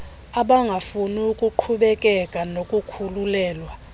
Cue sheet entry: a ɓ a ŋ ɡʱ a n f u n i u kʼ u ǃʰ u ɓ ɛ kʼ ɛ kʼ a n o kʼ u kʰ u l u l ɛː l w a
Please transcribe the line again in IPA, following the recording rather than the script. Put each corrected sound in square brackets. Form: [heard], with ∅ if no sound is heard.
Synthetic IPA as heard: a ɓ a ŋ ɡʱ a [∅] f u n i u kʼ u ǃʰ u ɓ ɛ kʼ ɛ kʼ a n o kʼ u kʰ u l u l ɛː l w a